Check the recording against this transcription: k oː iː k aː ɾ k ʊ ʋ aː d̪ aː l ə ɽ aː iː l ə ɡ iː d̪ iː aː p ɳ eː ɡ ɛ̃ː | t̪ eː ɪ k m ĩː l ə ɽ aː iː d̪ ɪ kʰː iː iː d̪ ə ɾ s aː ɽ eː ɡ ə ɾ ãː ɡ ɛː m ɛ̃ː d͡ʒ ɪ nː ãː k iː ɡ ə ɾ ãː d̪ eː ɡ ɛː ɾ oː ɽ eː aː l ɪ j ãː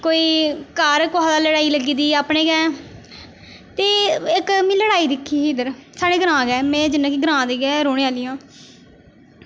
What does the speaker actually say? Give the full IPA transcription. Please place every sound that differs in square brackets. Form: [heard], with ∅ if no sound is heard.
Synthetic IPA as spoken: k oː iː k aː ɾ k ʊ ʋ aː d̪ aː l ə ɽ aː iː l ə ɡ iː d̪ iː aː p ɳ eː ɡ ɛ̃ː | t̪ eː ɪ k m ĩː l ə ɽ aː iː d̪ ɪ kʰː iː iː d̪ ə ɾ s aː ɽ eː ɡ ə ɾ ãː ɡ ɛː m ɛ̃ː d͡ʒ ɪ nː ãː k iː ɡ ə ɾ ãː d̪ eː ɡ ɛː ɾ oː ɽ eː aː l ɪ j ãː